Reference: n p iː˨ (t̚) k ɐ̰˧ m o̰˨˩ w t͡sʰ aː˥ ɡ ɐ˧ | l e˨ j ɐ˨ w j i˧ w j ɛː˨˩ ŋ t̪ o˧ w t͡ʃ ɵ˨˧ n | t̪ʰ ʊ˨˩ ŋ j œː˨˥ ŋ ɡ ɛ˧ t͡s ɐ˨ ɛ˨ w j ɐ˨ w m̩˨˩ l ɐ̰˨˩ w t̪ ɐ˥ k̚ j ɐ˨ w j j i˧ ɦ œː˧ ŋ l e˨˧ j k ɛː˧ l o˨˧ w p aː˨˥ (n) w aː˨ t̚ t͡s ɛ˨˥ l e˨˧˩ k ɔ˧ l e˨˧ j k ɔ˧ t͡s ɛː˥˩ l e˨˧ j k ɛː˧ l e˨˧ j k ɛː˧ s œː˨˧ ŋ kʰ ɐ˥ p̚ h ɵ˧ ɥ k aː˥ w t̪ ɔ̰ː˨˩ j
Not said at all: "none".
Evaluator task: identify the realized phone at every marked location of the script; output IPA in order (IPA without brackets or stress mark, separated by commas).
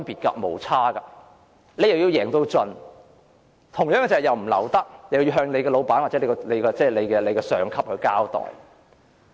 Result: t̚, n